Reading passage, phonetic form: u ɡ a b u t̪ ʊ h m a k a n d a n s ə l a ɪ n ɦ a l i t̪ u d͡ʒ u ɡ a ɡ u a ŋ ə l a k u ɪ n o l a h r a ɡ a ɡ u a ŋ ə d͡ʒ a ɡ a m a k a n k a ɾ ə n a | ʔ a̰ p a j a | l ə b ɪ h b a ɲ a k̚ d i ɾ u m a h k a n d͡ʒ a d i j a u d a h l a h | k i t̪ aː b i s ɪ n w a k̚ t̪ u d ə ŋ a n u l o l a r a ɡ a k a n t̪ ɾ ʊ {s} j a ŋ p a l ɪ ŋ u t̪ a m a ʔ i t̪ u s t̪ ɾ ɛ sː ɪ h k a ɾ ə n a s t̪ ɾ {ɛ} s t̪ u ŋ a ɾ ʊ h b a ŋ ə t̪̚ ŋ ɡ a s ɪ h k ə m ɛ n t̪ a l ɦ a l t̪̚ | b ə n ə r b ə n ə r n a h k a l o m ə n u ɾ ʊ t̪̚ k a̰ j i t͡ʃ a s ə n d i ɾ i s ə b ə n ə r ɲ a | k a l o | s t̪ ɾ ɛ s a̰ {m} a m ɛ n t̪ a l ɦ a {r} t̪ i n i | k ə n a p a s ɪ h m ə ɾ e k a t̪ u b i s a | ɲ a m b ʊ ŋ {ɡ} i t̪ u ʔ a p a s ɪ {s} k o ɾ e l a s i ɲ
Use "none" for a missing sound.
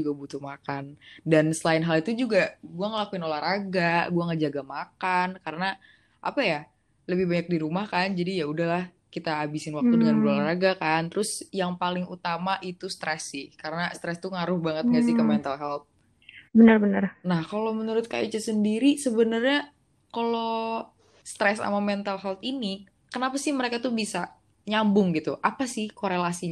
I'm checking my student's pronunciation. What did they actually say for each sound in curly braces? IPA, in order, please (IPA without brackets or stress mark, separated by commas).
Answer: s, ɛ, m, l, ɡ, h